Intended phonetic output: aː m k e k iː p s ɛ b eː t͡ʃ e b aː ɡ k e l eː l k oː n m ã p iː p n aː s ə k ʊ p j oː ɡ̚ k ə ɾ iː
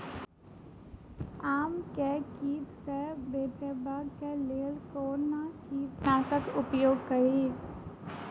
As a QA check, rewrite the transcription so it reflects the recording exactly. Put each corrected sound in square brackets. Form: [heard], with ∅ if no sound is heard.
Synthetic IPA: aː m k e k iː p s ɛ b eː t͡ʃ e b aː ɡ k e l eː l k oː n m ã [k] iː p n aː s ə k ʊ p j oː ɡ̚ k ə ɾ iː